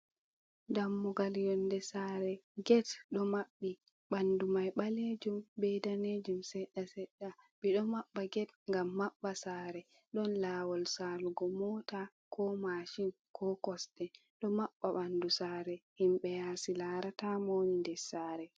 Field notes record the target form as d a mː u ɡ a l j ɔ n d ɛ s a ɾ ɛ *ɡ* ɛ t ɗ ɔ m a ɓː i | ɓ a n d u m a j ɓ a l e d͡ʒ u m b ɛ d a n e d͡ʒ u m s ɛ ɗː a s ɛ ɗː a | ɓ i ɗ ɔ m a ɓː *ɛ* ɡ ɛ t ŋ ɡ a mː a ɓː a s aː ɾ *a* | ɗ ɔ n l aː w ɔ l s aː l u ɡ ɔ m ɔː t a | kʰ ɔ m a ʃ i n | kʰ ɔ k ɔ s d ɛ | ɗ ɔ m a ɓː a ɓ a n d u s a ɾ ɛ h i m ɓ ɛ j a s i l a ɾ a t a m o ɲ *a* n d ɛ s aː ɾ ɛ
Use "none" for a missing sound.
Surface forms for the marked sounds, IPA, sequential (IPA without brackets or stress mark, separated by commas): ɡ, a, ɛ, i